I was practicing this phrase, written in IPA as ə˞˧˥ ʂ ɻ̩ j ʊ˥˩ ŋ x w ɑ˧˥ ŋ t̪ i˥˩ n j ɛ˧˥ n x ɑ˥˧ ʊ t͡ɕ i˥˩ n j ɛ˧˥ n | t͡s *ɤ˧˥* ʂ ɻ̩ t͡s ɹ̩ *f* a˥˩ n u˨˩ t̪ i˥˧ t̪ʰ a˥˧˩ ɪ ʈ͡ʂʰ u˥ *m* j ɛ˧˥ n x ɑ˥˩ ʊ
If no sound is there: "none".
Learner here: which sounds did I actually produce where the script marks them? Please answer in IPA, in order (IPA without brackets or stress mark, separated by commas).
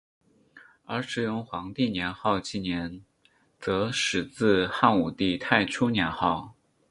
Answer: ɤ˧˥, x, n